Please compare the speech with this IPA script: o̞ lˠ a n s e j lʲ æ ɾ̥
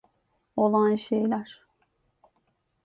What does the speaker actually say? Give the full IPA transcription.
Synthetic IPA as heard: o̞ lˠ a n ʃ e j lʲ æ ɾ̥